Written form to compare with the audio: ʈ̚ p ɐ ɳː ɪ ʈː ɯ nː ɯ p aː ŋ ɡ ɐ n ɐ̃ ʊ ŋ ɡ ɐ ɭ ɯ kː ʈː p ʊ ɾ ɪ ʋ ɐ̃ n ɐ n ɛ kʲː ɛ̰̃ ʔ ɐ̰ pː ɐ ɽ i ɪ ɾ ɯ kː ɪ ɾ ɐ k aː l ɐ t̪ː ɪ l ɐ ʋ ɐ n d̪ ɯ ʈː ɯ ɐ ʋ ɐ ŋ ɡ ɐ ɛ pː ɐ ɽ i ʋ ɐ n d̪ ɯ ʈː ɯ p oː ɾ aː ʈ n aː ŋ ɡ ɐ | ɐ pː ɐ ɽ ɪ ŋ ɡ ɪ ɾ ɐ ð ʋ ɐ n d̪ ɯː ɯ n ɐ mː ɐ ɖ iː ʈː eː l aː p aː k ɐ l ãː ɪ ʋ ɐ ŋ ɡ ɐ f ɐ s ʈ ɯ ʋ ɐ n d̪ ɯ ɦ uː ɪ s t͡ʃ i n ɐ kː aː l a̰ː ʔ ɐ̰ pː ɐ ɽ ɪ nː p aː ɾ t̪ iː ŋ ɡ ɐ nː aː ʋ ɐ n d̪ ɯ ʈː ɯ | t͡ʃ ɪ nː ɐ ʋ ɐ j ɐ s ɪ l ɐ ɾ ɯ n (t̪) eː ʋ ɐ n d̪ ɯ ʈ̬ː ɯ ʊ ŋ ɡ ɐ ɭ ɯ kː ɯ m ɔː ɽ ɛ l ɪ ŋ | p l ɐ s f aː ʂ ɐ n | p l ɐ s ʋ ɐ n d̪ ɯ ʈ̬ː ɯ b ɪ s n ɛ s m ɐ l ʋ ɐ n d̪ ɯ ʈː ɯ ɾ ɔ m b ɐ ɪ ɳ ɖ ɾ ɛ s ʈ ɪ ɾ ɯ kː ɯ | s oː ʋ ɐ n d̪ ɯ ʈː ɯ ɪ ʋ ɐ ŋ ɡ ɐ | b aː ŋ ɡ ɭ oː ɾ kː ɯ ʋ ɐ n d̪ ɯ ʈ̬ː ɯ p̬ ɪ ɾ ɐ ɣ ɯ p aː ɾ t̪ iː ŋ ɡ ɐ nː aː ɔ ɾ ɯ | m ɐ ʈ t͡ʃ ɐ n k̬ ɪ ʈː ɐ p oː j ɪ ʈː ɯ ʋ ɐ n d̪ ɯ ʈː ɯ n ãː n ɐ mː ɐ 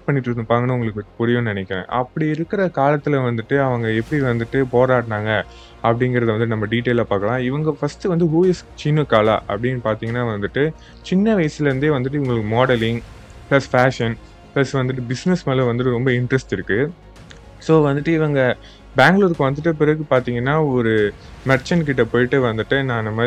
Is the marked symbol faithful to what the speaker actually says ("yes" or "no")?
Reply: no